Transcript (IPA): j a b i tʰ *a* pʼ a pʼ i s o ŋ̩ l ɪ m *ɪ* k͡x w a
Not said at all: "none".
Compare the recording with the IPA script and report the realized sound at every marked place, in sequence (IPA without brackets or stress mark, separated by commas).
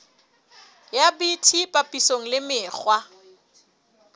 i, ɪː